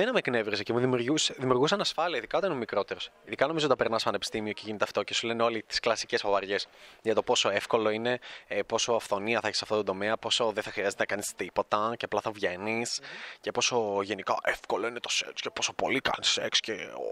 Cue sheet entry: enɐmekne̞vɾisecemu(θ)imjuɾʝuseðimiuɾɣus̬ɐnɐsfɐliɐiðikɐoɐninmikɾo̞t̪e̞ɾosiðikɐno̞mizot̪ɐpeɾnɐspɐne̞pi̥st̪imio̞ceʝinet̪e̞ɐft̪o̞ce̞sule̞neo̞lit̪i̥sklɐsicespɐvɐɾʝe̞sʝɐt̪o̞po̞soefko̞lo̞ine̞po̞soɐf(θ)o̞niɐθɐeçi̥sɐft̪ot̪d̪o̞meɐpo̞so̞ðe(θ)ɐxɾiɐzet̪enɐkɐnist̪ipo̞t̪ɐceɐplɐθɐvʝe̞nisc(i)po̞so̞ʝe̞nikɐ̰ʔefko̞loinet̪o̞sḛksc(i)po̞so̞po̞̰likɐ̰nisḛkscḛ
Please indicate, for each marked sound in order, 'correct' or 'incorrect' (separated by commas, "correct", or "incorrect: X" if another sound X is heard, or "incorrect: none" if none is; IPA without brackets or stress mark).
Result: incorrect: ð, correct, correct, incorrect: e, incorrect: e